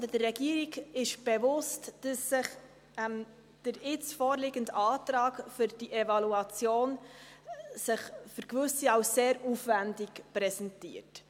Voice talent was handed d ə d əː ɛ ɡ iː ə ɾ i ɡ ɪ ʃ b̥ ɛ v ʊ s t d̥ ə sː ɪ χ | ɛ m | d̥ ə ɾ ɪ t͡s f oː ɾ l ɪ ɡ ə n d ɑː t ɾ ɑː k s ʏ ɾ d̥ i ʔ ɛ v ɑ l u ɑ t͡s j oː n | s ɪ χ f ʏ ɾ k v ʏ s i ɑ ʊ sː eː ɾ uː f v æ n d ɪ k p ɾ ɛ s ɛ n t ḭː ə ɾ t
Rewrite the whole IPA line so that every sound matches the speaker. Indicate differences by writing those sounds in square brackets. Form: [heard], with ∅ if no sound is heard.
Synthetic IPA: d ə d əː ɛ ɡ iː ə ɾ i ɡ ɪ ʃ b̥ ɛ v ʊ s t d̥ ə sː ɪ χ | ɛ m | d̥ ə ɾ ɪ t͡s f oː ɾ l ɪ ɡ ə n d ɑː t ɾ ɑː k [f] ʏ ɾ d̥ i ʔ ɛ v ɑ l u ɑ t͡s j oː n | s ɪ χ f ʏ ɾ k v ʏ s i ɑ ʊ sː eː ɾ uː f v æ n d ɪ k p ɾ ɛ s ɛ n t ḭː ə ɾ t